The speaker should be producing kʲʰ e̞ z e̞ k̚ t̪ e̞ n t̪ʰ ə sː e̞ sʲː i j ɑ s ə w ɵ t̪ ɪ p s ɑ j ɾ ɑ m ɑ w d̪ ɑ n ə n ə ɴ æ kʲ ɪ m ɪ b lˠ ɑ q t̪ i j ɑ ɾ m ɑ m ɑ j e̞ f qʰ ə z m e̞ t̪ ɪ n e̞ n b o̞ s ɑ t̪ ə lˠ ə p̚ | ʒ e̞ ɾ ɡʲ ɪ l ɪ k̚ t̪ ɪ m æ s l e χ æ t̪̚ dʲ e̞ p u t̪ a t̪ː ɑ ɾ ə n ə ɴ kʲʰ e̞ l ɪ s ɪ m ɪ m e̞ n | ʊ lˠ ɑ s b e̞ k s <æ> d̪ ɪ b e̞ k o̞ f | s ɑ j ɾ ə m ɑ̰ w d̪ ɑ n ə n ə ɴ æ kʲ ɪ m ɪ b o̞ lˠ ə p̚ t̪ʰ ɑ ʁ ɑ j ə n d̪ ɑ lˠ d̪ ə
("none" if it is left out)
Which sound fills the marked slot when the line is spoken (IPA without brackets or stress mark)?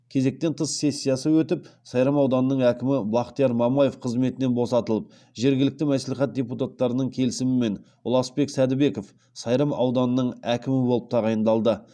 æ